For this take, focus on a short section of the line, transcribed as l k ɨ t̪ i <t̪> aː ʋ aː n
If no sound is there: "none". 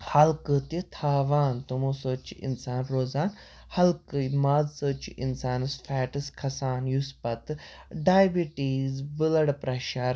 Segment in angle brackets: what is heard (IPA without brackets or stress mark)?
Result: t̪ʰ